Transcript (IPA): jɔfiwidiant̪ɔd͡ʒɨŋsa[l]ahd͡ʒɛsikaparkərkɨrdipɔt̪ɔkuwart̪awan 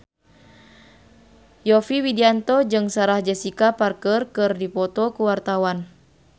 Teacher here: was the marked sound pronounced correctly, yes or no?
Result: no